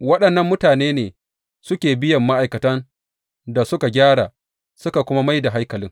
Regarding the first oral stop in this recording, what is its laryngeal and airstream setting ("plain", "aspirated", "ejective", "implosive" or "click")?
implosive